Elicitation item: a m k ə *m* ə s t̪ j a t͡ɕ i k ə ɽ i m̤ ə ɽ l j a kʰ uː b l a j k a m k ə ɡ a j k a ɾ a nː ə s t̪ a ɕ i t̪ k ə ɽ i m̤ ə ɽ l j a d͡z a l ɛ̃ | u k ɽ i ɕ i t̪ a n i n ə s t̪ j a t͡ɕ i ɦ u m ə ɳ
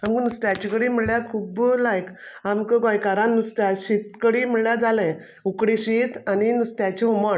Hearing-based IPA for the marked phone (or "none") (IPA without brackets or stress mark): n